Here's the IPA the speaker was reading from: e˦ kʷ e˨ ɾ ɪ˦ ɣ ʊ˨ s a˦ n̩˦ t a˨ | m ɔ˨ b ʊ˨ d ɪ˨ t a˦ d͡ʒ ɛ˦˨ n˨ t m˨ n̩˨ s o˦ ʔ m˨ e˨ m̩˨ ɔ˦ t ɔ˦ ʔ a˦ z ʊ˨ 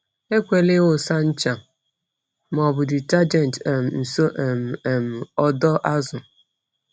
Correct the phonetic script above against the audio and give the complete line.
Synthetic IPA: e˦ kʷ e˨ l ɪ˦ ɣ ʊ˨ s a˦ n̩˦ t͡ʃ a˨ | m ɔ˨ b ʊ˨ d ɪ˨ t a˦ d͡ʒ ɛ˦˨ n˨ t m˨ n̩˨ s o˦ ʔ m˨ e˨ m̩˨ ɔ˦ d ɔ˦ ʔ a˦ z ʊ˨

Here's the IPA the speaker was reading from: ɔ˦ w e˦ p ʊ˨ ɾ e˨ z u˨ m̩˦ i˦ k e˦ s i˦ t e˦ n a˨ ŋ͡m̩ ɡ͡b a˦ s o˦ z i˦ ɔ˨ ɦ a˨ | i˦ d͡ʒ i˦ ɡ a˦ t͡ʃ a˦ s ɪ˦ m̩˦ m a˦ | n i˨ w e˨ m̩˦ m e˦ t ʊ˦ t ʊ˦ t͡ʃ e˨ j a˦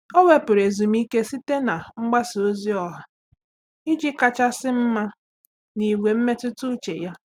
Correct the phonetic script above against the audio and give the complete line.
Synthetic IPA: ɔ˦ w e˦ p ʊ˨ ɾ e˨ z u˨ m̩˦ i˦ k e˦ s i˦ t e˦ n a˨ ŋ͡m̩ ɡ͡b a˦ s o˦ z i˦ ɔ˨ ɦ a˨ | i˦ d͡ʒ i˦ k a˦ t͡ʃ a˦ s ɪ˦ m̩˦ m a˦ | n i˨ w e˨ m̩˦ m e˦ t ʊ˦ t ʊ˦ t͡ʃ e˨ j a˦

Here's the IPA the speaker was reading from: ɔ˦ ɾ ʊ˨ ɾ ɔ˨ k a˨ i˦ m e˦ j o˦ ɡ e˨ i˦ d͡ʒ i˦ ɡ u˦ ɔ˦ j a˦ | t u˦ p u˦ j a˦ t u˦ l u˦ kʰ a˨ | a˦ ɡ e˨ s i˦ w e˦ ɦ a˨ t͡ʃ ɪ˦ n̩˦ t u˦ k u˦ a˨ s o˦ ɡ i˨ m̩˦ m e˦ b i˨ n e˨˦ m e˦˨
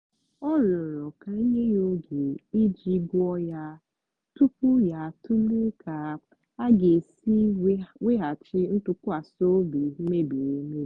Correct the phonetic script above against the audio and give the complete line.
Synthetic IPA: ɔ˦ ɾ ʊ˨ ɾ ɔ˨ k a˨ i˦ ɲ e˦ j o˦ ɡ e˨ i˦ d͡ʒ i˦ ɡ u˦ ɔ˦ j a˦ | t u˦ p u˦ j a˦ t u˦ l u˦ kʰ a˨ | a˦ ɡ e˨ s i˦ w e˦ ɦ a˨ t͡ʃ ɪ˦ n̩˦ t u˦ k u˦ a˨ s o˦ b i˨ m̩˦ m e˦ b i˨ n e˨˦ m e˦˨

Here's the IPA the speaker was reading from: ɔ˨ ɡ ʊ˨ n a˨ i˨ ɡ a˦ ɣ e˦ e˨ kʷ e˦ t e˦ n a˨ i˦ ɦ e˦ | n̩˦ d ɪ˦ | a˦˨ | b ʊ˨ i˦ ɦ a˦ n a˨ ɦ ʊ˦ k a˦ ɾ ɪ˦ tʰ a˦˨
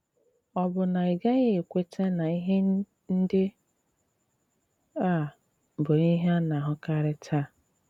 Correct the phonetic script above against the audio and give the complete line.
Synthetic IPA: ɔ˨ b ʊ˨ n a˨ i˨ ɡ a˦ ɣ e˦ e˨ kʷ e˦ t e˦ n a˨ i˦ ɦ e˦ | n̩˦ d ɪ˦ | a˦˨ | b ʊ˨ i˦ ɦ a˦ n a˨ ɦ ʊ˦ k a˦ ɾ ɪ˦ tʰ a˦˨

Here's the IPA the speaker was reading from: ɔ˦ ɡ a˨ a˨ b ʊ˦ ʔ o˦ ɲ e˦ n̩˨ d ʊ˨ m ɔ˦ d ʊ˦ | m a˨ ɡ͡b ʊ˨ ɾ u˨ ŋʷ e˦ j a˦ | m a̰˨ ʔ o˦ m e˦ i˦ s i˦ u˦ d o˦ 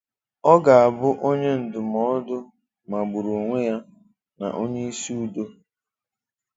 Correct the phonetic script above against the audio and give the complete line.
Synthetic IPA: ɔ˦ ɡ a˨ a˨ b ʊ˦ ʔ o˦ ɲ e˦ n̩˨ d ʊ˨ m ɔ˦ d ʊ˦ | m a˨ ɡ͡b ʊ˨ ɾ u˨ ŋʷ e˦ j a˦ | n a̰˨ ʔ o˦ ɲ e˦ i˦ s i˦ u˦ d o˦

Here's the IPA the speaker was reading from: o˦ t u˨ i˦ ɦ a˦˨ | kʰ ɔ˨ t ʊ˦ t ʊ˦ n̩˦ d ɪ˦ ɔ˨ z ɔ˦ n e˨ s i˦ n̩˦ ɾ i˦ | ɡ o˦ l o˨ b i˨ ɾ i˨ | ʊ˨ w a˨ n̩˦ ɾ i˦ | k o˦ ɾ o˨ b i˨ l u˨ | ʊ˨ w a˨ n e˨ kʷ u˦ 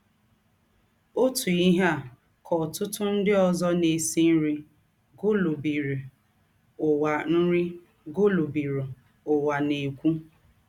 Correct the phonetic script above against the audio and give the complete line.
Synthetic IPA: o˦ t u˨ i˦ ɦ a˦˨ | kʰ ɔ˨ t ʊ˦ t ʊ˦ n̩˦ d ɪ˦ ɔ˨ z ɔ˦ n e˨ s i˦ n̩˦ ɾ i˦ | ɡ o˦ l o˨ b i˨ ɾ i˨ | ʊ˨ w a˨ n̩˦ ɾ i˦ | ɡ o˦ l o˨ b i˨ ɾ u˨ | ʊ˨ w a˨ n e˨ kʷ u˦

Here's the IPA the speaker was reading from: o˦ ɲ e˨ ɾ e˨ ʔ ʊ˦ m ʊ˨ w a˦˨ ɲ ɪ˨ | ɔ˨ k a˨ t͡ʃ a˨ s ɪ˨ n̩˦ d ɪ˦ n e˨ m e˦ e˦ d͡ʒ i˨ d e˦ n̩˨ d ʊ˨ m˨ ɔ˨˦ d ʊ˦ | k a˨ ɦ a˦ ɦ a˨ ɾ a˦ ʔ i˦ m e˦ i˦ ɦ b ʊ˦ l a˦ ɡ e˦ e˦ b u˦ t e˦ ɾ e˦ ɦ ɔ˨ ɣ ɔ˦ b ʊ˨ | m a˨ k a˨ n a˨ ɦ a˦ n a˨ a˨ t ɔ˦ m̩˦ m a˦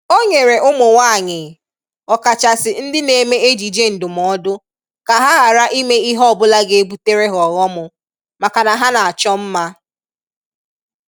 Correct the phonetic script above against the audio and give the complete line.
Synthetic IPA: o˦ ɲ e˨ ɾ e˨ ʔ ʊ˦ m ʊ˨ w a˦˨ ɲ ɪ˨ | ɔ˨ k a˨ t͡ʃ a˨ s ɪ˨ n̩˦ d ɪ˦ n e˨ m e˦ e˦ d͡ʒ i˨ d͡ʒ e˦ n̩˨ d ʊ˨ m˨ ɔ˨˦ d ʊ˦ | k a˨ ɦ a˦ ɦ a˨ ɾ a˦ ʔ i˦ m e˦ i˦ ɦ b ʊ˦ l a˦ ɡ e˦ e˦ b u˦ t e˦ ɾ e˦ ɦ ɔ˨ ɣ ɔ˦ m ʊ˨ | m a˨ k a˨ n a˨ ɦ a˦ n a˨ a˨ t͡ʃ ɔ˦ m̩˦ m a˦

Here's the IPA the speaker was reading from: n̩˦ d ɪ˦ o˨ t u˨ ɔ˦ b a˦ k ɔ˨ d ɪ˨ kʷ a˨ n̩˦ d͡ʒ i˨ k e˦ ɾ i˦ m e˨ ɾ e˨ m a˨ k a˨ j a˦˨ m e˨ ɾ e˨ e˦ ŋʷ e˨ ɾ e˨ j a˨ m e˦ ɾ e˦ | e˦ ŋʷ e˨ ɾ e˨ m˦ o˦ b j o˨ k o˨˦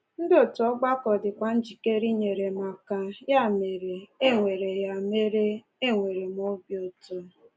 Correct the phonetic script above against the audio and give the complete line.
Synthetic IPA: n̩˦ d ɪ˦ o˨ t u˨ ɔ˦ ɡ͡b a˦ k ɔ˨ d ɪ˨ kʷ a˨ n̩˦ d͡ʒ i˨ k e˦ ɾ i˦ ɲ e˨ ɾ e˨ m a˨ k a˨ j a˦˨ m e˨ ɾ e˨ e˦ ŋʷ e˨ ɾ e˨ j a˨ m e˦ ɾ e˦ | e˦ ŋʷ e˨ ɾ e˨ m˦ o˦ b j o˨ t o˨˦

